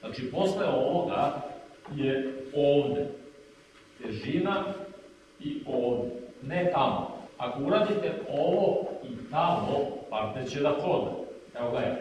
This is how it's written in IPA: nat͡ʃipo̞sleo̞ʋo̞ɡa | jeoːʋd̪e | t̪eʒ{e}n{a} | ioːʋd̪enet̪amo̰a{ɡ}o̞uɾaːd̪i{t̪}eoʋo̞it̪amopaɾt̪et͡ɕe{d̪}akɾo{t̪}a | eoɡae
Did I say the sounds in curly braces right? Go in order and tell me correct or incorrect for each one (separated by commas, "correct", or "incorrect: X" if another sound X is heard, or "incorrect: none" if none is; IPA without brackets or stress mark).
incorrect: i, correct, incorrect: k, correct, correct, incorrect: d̪